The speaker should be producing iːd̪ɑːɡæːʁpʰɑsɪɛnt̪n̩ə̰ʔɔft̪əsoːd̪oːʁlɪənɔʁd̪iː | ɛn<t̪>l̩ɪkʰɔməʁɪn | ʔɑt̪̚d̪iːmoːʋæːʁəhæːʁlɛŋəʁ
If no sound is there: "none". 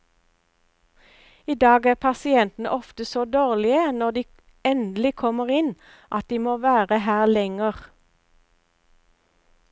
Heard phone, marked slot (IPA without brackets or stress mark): d̪